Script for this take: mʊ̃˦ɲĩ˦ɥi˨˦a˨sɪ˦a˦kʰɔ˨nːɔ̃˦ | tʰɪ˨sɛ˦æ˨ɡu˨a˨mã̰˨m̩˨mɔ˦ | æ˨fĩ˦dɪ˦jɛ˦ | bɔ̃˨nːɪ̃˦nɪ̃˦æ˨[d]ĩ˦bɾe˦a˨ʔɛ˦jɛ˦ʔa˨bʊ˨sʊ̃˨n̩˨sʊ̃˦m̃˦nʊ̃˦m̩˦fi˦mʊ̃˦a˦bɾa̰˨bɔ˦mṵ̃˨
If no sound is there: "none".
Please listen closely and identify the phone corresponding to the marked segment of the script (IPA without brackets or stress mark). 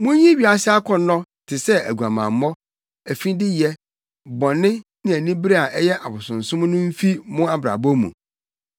n